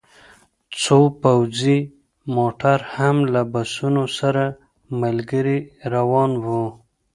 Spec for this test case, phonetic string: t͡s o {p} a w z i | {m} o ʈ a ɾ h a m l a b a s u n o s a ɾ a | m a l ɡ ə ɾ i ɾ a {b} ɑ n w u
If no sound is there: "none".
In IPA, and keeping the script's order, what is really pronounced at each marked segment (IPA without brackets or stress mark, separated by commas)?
p, m, w